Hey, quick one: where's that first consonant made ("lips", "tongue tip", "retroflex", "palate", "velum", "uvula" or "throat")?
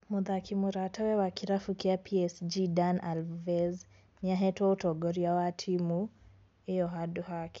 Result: lips